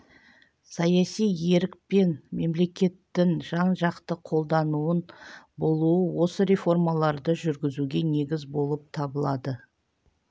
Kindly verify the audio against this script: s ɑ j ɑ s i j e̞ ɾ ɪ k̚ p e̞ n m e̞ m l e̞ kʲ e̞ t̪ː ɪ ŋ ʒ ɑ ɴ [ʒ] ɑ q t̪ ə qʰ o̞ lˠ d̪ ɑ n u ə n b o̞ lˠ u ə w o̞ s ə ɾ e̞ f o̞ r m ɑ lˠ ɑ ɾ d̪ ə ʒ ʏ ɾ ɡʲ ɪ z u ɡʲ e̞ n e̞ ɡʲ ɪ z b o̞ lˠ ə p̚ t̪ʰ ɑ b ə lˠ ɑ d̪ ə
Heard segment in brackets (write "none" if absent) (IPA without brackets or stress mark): ʒ